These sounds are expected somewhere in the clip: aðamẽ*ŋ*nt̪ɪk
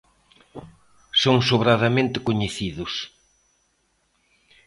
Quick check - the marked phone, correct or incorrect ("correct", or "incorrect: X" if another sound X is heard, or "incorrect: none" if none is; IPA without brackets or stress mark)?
incorrect: none